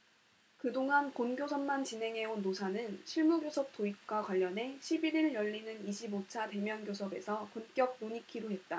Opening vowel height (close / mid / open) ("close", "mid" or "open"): close